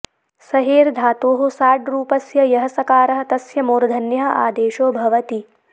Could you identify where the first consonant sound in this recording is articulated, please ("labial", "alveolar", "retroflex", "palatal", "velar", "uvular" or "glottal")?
alveolar